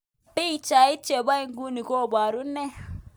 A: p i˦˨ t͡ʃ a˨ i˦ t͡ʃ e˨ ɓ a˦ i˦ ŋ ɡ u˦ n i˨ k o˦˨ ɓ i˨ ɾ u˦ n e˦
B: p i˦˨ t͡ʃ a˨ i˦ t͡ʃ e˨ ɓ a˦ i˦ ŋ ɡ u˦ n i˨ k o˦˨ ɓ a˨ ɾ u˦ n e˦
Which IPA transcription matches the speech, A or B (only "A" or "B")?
B